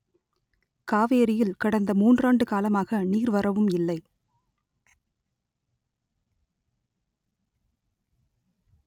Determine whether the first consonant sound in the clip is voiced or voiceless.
voiceless